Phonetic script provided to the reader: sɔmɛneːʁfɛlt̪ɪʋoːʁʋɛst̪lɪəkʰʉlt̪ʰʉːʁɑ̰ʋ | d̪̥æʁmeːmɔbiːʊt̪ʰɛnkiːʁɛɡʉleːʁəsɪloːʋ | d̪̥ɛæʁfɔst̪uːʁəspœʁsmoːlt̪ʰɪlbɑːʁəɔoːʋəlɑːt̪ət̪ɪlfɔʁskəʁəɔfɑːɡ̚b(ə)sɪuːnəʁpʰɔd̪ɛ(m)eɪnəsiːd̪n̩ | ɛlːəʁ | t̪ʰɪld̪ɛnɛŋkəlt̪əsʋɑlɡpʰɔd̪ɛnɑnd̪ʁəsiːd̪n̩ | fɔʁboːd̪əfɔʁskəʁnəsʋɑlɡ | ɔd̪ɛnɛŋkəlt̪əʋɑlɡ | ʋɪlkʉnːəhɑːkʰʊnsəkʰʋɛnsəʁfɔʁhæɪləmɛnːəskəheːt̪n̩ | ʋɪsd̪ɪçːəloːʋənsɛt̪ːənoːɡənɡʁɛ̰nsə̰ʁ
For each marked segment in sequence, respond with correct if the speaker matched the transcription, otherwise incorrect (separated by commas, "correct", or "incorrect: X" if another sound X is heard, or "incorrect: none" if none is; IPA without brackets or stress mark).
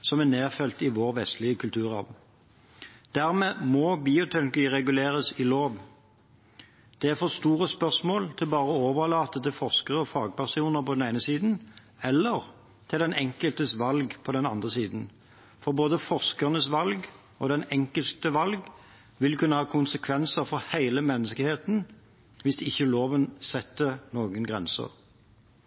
incorrect: ɑ, incorrect: n